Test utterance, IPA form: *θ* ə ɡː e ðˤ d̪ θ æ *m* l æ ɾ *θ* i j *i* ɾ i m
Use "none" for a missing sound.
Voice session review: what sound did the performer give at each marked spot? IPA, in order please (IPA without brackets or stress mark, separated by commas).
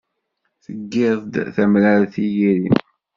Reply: θ, m, θ, i